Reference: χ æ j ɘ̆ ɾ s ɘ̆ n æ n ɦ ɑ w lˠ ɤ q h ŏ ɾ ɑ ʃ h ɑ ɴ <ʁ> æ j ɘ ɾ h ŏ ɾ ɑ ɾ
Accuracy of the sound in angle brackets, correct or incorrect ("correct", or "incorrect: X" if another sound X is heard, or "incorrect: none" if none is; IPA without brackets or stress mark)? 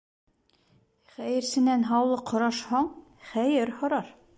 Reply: incorrect: χ